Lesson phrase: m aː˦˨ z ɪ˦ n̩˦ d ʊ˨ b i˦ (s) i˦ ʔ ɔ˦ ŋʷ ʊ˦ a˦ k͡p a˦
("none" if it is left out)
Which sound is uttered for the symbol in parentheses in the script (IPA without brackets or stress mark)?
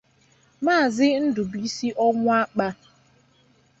s